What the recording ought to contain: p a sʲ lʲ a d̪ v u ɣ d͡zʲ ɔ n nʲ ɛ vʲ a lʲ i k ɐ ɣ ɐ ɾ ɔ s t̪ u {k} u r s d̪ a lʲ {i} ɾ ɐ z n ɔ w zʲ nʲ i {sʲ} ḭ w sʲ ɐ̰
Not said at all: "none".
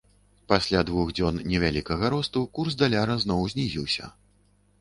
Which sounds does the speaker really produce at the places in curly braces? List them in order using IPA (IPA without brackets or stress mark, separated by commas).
k, a, zʲ